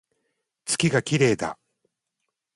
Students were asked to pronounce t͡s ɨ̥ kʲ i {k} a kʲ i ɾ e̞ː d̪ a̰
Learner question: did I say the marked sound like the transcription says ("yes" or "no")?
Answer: no